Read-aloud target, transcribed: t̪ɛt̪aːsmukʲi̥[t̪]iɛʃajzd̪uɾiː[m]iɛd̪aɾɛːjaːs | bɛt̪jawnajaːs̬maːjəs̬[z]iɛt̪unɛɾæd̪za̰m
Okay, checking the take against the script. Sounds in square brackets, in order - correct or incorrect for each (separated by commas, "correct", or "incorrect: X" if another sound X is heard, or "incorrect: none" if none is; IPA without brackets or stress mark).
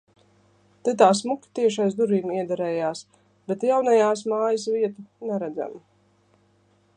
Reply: correct, correct, incorrect: v